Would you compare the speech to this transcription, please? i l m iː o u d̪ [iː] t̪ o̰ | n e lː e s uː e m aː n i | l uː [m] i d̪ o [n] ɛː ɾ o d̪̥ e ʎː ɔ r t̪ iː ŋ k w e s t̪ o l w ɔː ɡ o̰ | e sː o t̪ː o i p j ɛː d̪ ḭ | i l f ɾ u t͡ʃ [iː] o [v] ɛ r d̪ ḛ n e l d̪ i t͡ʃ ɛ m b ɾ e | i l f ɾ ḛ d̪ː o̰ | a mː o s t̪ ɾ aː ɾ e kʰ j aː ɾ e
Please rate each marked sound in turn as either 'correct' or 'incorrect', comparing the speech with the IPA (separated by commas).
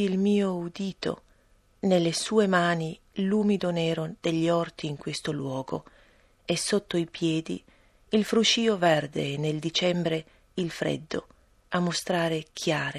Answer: correct, correct, correct, correct, correct